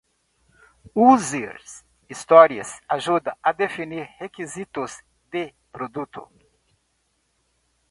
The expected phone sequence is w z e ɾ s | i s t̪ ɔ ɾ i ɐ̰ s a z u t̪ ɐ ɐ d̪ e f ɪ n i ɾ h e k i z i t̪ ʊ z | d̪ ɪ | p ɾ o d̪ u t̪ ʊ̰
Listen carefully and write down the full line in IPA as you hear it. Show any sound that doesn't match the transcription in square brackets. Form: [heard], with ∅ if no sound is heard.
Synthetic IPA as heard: [u] z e ɾ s | i s t̪ ɔ ɾ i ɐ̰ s a [ʒ] u [d̪] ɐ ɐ d̪ e f [i] n i ɾ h e k i z i t̪ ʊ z | d̪ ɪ | p ɾ o d̪ u t̪ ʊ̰